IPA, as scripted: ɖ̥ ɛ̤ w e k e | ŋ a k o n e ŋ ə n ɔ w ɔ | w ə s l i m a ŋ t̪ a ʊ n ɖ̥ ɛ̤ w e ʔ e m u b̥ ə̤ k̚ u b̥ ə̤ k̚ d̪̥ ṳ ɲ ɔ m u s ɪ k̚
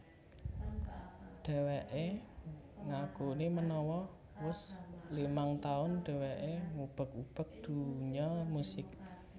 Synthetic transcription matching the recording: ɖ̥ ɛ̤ w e ʔ e | ŋ a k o n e m ə n ɔ w ɔ | w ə s l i m a ŋ t̪ a ʊ n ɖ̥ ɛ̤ w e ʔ e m u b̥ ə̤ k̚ u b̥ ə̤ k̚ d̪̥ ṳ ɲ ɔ m u s ɪ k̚